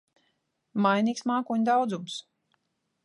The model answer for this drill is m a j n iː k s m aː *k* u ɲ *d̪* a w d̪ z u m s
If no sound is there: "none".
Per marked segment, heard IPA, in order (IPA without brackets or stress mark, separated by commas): k, d̪